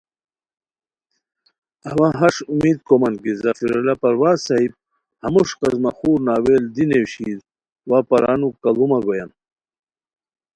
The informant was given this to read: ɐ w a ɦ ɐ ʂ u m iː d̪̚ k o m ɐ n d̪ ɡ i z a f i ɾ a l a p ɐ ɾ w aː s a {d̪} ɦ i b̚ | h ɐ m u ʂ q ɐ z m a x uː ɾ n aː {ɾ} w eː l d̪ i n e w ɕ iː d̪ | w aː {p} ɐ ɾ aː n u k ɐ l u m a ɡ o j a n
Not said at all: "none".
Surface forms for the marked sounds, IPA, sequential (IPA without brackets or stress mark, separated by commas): none, none, p